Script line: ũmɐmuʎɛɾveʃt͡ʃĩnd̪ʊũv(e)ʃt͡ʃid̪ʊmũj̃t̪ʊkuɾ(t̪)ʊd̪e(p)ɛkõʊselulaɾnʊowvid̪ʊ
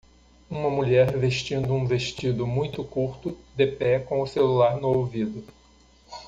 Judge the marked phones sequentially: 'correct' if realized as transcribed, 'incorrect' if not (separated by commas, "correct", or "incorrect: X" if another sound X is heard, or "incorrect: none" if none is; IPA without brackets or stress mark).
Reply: correct, correct, correct